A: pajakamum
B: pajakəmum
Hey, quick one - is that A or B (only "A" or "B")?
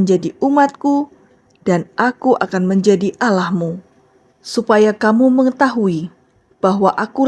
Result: A